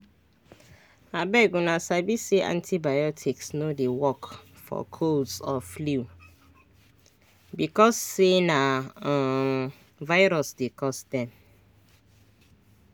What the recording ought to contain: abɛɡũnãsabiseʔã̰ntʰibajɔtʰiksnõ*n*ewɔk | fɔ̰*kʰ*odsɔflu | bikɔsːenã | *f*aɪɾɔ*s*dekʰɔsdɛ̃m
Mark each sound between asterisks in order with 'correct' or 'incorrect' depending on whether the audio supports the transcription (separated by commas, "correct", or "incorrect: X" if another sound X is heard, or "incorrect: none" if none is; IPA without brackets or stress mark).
incorrect: d, correct, incorrect: v, correct